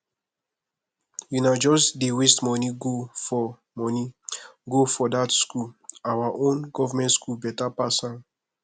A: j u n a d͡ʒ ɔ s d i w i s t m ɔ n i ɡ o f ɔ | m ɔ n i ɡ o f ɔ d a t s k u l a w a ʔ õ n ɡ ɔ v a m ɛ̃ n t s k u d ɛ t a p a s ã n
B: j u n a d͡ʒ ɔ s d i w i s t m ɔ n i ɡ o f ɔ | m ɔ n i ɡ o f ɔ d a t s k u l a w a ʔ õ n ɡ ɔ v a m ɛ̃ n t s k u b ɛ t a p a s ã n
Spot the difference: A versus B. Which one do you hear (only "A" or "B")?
B